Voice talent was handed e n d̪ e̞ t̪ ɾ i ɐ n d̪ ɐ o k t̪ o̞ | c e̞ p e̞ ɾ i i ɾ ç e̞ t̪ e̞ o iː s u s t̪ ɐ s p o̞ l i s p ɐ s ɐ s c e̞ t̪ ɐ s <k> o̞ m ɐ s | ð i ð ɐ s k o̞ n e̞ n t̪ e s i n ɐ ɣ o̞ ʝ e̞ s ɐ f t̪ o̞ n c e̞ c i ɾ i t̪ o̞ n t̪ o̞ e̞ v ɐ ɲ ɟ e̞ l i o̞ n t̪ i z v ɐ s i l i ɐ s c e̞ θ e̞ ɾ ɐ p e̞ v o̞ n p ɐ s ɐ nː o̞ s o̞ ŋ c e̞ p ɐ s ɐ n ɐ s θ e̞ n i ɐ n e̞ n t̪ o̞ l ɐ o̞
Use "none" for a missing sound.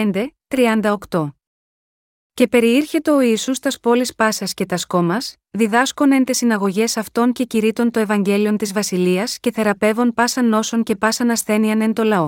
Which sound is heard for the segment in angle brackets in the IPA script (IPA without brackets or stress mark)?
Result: k